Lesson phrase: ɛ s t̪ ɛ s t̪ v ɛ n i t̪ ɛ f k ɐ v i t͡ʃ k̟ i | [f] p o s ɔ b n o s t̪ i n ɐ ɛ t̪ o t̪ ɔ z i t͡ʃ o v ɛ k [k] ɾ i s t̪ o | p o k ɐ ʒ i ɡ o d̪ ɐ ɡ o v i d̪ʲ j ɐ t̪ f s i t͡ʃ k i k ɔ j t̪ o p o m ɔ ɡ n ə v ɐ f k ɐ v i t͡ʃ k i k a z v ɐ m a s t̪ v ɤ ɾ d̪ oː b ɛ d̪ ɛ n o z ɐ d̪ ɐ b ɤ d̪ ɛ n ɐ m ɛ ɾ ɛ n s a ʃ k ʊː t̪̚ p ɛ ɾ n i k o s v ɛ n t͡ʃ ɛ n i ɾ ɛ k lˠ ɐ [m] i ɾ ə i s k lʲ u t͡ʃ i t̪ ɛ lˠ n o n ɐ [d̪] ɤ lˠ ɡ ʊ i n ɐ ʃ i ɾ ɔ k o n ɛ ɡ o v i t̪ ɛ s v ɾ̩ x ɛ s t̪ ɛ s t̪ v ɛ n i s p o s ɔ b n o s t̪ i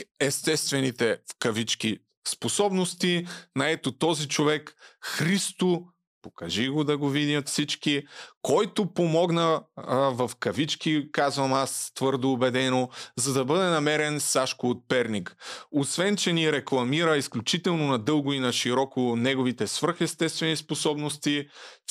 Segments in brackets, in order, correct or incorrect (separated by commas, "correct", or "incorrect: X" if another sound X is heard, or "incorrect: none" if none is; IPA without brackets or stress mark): incorrect: s, incorrect: x, correct, correct